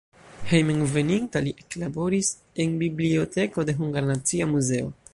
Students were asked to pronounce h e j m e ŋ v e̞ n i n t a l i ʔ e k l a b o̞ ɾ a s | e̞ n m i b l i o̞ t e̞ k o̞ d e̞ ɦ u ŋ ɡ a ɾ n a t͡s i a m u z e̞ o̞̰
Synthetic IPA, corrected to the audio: h e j m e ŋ v e̞ n i n t a l i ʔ e k l a b o̞ ɾ i s | e̞ n b i b l i o̞ t e̞ k o̞ d e̞ ɦ u ŋ ɡ a ɾ n a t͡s i a m u z e̞ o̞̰